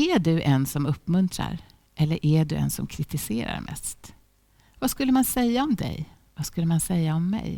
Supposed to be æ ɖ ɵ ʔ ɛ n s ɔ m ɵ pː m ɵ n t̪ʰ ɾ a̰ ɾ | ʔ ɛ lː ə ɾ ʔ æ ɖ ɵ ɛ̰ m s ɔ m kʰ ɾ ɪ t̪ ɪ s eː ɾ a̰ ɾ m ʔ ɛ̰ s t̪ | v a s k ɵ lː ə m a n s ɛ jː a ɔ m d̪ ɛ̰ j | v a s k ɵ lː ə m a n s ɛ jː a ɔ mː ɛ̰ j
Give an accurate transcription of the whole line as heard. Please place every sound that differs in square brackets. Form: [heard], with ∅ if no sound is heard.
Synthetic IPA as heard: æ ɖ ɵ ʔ ɛ n s ɔ m ɵ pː m ɵ n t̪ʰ ɾ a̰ ɾ | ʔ ɛ lː ə ɾ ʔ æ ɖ ɵ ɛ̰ [n] s ɔ m kʰ ɾ ɪ t̪ ɪ s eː ɾ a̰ ɾ m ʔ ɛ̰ s t̪ | v a s k ɵ lː ə m a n s ɛ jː a ɔ m d̪ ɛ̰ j | v a s k ɵ lː ə m a n s ɛ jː a ɔ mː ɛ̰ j